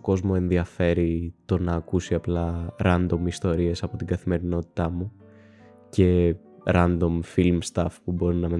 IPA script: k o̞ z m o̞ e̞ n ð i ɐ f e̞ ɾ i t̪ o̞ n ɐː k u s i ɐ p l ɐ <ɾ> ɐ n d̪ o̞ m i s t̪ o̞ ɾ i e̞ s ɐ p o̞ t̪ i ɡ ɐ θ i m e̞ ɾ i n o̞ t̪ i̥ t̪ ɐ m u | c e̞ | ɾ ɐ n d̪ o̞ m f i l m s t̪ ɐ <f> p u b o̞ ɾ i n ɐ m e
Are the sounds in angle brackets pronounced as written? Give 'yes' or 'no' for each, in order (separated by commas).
yes, yes